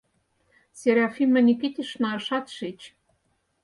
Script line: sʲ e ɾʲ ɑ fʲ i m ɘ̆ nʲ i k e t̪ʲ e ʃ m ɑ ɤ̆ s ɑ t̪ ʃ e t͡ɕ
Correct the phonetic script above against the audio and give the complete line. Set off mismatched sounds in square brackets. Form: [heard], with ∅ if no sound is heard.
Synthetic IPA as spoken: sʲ e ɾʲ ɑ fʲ i m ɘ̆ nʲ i k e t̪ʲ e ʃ [n] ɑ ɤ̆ [ʃ] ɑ t̪ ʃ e t͡ɕ